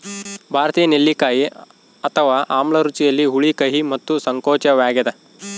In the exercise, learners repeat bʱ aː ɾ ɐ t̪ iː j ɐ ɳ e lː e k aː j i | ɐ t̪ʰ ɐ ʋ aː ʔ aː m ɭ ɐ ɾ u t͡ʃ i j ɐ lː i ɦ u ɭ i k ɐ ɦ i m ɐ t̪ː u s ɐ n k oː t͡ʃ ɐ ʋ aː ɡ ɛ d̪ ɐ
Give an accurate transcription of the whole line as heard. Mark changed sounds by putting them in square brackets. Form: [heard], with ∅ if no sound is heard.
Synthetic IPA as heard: bʱ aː ɾ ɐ t̪ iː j ɐ [n] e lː [i] k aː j i | ɐ t̪ʰ ɐ ʋ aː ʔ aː m ɭ ɐ ɾ u t͡ʃ i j ɐ lː i ɦ u ɭ i k ɐ ɦ i m ɐ t̪ː u s ɐ [ŋ] k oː t͡ʃ ɐ ʋ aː ɡ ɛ d̪ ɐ

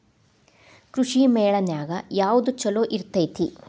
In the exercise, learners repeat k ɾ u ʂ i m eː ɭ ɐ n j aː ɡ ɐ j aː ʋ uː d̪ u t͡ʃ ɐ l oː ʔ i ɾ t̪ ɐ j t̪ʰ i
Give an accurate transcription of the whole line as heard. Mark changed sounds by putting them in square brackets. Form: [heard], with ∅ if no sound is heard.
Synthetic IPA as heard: k ɾ u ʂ i m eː ɭ ɐ n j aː ɡ ɐ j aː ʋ [u] d̪ u t͡ʃ ɐ l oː ʔ i ɾ t̪ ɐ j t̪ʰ i

